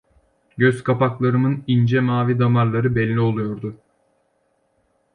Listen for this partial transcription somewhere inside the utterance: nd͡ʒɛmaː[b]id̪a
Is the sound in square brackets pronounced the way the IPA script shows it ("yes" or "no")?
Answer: no